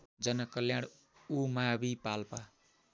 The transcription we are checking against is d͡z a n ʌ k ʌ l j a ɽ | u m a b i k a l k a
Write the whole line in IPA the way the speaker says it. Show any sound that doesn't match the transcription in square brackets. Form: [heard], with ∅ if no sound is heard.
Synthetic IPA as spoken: d͡z [ʌ] n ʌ k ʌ l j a ɽ | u m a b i [p] a l [p] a